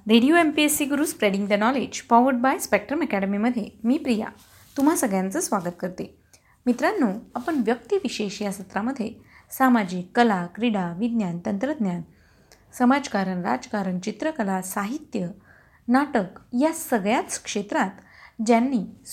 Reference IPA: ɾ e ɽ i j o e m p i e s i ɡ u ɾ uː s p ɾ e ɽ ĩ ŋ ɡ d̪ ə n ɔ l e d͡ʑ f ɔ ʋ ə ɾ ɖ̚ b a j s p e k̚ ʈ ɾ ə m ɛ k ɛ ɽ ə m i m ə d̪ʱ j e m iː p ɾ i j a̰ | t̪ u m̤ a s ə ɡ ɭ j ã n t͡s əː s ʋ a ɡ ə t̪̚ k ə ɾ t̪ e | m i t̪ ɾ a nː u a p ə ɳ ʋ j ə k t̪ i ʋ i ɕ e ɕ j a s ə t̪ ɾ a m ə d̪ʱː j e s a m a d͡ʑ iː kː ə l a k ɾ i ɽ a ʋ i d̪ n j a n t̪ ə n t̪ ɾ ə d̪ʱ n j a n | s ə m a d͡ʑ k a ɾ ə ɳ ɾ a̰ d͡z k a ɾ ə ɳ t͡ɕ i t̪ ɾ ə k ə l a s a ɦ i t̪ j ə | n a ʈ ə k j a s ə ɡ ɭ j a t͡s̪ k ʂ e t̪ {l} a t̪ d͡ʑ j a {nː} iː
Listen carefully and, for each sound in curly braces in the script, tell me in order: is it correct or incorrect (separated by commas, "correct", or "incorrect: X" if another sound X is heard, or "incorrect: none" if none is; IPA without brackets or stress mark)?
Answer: incorrect: ɾ, correct